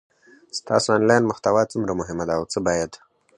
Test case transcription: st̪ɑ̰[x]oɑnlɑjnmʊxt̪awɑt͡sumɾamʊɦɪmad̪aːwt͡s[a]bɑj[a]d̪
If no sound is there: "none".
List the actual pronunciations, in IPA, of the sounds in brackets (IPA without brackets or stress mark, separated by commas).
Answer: s, ə, a